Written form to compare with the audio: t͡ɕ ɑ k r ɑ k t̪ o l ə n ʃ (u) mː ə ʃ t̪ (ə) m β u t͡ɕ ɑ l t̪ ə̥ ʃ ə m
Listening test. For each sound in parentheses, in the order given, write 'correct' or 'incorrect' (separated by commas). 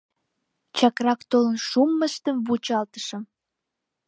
correct, correct